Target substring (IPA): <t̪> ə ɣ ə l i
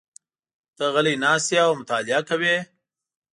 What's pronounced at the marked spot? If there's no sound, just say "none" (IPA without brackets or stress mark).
t̪